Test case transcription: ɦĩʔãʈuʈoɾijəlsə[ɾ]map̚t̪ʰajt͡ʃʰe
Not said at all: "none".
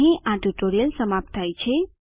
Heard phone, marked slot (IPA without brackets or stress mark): none